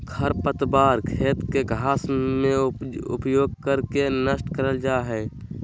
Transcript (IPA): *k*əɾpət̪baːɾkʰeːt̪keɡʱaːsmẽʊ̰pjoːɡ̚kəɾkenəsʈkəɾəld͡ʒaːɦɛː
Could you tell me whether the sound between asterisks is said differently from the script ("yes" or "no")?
yes